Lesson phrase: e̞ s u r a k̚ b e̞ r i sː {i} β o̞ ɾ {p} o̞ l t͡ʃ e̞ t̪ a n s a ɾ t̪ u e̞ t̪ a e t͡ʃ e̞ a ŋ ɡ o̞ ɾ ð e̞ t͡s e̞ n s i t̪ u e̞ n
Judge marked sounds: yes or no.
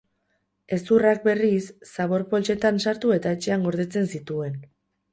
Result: no, yes

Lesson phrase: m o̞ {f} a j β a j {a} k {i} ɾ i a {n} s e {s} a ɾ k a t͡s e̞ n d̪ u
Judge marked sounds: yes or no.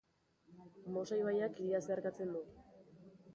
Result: no, yes, yes, no, no

